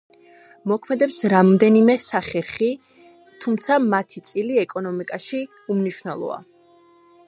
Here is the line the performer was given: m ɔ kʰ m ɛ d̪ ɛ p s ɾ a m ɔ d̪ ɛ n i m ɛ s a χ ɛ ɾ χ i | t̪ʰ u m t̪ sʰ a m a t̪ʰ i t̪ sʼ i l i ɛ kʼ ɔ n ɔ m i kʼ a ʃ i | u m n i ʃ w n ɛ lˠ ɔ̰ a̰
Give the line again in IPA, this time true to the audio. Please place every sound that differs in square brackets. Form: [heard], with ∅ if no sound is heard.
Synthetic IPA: m ɔ kʰ m ɛ d̪ ɛ p s ɾ a m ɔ d̪ ɛ n i m ɛ s a χ ɛ ɾ χ i | t̪ʰ u m t̪ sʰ a m a t̪ʰ i t̪ sʼ i l i ɛ kʼ ɔ n ɔ m i kʼ a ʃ i | u m n i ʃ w n ɛ lˠ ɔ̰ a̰

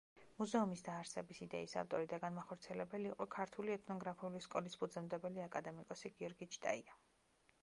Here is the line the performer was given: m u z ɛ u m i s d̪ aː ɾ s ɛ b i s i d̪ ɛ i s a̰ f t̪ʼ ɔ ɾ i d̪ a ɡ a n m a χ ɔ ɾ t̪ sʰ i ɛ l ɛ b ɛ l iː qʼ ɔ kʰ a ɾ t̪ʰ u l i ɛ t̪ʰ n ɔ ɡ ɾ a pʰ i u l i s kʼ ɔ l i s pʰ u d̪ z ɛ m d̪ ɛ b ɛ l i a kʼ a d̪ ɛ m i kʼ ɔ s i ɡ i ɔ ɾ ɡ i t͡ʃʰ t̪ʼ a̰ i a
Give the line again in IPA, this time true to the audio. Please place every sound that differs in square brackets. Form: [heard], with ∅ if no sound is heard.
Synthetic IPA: m u z ɛ u m i s d̪ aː ɾ s ɛ b i s i d̪ ɛ i s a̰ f t̪ʼ ɔ ɾ i d̪ a ɡ a n m a χ ɔ ɾ t̪ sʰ i ɛ l ɛ b ɛ l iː qʼ ɔ kʰ a ɾ t̪ʰ u l i ɛ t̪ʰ n ɔ ɡ ɾ a pʰ i u l i s kʼ ɔ l i s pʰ u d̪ z ɛ m d̪ ɛ b ɛ l i a kʼ a d̪ ɛ m i kʼ ɔ s i ɡ i ɔ ɾ ɡ i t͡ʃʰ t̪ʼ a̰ i a

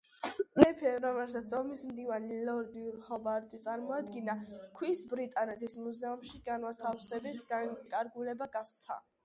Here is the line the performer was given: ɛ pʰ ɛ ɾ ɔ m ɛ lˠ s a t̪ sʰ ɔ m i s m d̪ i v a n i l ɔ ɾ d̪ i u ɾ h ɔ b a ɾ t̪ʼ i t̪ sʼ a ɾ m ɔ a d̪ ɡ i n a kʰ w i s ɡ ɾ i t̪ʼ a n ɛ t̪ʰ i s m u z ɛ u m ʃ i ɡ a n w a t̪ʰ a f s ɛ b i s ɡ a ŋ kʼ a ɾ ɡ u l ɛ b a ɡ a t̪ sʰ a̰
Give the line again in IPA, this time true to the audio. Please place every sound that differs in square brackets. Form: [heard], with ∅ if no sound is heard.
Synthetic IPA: ɛ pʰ ɛ ɾ ɔ m ɛ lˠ s a t̪ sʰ ɔ m i s m d̪ i v a n i l ɔ ɾ d̪ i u ɾ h ɔ b a ɾ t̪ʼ i t̪ sʼ a ɾ m ɔ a d̪ ɡ i n a kʰ w i s [b] ɾ i t̪ʼ a n ɛ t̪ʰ i s m u z ɛ u m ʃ i ɡ a n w a t̪ʰ a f s ɛ b i s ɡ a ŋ kʼ a ɾ ɡ u l ɛ b a ɡ a t̪ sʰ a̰

